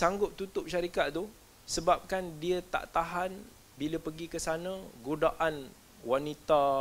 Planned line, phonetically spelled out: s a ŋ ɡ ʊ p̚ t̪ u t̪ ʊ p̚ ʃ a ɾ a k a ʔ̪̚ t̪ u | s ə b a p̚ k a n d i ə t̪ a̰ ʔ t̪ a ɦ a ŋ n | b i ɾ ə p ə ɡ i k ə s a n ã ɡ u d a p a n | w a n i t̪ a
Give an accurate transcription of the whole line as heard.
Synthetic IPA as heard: s a ŋ ɡ ʊ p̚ t̪ u t̪ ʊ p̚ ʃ a ɾ i k a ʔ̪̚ t̪ u | s ə b a p̚ k a n d i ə t̪ a̰ ʔ t̪ a ɦ a n | b i l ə p ə ɡ i k ə s a n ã ɡ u d a ʔ a n | w a n i t̪ a